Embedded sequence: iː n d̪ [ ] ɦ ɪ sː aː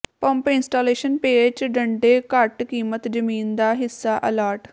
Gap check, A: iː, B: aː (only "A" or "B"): B